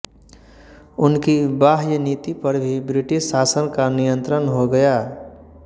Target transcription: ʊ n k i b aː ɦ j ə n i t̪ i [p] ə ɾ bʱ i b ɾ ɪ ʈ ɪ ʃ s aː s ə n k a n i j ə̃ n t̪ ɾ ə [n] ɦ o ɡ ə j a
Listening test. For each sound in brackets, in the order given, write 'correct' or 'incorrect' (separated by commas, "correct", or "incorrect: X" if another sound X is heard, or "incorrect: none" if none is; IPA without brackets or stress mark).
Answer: correct, correct